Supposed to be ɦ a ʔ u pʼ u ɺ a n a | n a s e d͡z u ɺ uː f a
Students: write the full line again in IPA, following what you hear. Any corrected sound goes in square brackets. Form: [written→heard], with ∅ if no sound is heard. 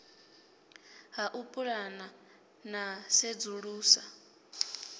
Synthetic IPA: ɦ a ʔ u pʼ u ɺ a n a | n a s e d͡z u ɺ uː [f→s] a